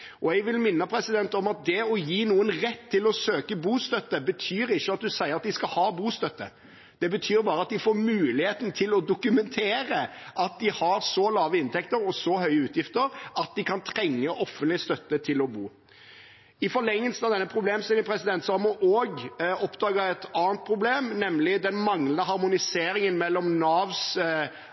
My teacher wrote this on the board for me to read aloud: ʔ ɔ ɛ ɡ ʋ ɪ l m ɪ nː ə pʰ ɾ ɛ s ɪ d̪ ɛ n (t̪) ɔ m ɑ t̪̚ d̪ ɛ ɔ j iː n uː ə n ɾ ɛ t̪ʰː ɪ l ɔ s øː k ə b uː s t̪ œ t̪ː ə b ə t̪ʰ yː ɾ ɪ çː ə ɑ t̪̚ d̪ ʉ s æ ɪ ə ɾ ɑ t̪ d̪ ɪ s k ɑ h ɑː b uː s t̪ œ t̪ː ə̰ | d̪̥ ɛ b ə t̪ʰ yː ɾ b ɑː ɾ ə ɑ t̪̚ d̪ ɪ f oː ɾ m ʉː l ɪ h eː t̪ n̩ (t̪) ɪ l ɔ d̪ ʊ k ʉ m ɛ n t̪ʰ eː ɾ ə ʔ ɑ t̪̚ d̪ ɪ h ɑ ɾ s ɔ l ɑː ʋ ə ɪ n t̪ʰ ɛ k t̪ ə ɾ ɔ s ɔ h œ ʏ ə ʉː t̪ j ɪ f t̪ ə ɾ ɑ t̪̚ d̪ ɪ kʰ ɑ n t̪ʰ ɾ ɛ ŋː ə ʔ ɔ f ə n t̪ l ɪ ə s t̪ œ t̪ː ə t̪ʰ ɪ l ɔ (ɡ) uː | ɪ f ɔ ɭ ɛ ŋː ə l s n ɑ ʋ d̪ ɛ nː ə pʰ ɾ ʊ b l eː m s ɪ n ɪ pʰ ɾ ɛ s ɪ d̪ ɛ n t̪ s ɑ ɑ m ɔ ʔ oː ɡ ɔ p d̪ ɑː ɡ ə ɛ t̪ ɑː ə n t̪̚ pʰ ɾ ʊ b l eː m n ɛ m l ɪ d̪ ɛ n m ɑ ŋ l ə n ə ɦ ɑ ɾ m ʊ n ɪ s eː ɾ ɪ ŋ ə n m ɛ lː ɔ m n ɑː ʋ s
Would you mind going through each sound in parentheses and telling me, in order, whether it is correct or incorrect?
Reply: correct, incorrect: t̪ʰ, incorrect: b

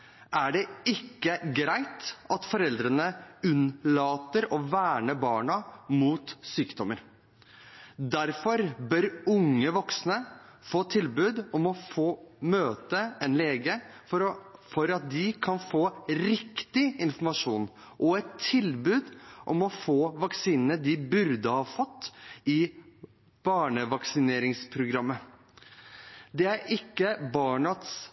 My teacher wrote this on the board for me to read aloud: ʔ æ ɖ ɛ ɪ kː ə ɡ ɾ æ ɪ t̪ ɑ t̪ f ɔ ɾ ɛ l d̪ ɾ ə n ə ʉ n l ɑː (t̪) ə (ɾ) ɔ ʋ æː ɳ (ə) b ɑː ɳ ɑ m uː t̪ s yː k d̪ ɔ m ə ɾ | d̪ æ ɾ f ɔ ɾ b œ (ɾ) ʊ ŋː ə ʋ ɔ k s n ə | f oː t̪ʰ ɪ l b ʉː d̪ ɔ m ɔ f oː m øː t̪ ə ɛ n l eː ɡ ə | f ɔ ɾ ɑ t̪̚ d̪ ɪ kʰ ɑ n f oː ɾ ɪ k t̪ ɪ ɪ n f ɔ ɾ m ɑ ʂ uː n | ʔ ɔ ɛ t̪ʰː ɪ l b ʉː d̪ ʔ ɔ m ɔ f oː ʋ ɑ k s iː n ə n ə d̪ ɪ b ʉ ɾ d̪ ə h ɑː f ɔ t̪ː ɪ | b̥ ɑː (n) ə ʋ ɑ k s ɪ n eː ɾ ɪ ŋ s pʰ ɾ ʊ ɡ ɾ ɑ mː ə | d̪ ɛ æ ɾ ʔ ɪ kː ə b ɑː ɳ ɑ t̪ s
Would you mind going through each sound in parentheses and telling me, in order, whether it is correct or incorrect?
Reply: correct, correct, correct, correct, incorrect: ɳ

